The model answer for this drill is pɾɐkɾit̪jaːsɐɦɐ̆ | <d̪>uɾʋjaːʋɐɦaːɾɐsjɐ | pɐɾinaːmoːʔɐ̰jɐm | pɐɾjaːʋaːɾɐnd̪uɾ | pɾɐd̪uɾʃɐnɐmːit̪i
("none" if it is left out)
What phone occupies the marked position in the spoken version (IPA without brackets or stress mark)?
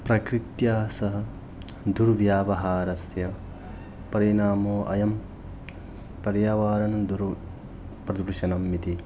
d̪